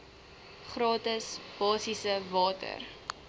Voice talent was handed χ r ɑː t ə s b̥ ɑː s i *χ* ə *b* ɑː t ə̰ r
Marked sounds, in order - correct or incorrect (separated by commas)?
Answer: incorrect, incorrect